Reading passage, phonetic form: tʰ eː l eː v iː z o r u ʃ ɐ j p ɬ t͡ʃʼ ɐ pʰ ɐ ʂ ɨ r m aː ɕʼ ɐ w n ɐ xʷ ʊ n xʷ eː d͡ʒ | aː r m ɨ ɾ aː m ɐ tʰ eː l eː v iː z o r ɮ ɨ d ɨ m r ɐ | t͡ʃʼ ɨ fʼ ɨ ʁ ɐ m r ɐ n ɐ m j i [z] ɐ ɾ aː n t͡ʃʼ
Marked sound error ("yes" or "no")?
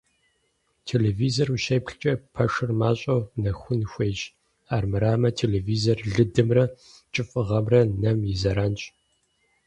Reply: no